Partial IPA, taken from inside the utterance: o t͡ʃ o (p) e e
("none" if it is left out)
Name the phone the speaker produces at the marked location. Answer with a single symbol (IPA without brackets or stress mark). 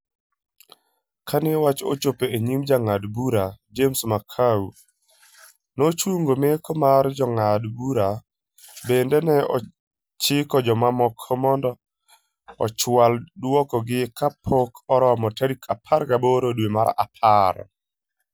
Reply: p